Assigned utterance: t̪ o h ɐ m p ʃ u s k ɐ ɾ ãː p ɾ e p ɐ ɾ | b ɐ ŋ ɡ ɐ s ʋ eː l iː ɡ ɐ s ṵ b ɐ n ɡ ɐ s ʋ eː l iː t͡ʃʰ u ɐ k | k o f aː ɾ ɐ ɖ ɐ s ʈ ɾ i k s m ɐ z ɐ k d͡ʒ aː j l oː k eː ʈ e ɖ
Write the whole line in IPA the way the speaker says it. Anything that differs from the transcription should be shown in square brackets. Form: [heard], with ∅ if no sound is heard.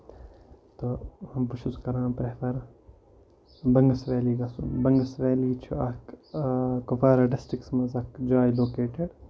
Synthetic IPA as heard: t̪ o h ɐ m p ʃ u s k ɐ ɾ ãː p ɾ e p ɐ ɾ | b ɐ ŋ ɡ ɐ s ʋ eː l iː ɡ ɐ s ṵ b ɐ [ŋ] ɡ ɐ s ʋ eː l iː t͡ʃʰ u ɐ k | k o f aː ɾ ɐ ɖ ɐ s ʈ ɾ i k s m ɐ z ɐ k d͡ʒ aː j l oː k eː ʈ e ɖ